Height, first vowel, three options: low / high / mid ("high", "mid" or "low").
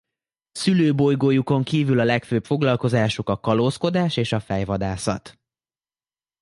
high